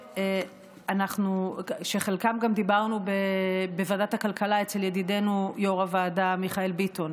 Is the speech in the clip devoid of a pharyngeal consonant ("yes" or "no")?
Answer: yes